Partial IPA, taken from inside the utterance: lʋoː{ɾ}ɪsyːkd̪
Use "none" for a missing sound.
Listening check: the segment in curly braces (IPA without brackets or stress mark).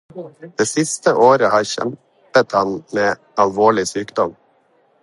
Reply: ɭ